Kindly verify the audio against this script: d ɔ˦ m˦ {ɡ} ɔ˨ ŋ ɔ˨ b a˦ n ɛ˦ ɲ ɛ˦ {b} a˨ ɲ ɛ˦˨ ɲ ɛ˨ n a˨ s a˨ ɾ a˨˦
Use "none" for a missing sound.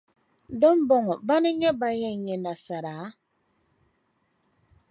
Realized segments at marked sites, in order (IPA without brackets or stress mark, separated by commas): b, b